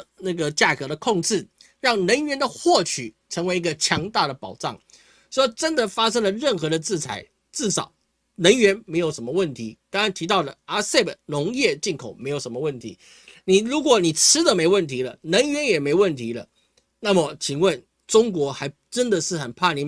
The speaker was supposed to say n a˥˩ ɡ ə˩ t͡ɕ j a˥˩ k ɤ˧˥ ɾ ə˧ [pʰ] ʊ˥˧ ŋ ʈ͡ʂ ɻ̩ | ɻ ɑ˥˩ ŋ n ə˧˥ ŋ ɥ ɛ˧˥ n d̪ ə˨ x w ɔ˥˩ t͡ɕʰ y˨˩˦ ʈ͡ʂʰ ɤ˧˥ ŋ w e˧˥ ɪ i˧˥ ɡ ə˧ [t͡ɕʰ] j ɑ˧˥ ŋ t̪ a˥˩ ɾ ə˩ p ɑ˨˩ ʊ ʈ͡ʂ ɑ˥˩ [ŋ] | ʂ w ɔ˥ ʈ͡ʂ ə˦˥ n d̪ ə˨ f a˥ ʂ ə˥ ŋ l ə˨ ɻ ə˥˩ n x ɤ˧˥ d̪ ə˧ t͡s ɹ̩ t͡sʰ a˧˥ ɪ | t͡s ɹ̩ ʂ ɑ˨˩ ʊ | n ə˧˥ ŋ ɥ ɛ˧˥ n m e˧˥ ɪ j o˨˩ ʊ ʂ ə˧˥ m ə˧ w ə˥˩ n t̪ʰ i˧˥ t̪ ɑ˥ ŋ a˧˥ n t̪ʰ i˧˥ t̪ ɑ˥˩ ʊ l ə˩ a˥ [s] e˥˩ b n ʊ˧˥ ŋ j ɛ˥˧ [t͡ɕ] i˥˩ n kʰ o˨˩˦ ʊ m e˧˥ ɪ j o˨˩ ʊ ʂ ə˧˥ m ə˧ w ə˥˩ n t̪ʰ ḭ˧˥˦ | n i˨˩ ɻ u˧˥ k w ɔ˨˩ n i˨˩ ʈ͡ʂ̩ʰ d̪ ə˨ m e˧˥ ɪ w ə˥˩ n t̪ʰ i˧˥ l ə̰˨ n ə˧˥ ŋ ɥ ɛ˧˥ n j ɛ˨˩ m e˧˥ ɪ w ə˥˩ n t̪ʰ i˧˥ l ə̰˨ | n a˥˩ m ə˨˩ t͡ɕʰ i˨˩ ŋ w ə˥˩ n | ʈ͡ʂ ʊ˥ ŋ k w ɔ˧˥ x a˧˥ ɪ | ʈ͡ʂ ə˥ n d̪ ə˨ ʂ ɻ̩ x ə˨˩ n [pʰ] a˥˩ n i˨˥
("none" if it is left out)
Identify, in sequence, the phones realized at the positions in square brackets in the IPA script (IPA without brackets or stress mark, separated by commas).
kʰ, t͡ɕʰ, ŋ, s, t͡ɕ, pʰ